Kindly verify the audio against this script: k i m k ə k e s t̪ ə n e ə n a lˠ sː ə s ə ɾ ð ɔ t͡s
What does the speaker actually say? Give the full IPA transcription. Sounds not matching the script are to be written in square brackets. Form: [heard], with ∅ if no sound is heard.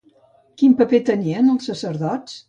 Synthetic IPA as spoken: k i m [p] ə [p] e [∅] t̪ ə n [i] ə n [ə] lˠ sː ə s ə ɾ ð ɔ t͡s